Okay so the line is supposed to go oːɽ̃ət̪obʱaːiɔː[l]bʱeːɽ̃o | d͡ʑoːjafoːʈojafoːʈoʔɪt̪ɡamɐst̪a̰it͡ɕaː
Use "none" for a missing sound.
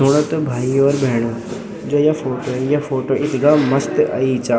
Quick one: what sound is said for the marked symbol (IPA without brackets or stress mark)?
ɾ